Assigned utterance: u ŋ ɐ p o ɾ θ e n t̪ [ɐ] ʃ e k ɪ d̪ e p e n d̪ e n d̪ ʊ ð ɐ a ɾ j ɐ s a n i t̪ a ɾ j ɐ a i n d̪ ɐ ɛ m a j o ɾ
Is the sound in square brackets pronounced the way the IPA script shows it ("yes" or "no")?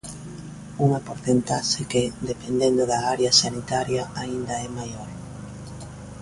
no